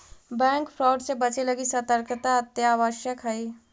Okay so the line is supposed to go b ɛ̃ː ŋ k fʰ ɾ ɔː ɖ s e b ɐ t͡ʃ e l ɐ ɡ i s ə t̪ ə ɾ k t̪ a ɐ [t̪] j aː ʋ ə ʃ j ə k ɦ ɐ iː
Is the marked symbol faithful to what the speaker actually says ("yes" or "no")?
yes